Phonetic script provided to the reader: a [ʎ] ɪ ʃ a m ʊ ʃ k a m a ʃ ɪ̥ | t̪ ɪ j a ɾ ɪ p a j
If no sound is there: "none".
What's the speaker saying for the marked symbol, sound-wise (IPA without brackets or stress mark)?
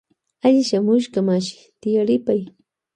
ʎ